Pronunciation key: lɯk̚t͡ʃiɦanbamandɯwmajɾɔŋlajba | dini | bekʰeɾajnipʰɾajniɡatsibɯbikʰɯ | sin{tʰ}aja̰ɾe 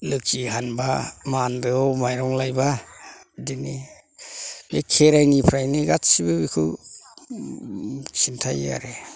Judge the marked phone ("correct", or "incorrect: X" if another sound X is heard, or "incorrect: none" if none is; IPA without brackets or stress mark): correct